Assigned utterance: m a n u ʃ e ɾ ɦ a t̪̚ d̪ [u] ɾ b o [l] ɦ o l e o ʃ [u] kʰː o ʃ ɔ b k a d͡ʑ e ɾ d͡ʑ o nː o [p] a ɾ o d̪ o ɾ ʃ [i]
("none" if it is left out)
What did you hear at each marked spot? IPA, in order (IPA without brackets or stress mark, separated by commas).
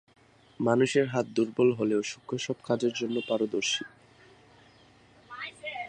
u, l, u, p, i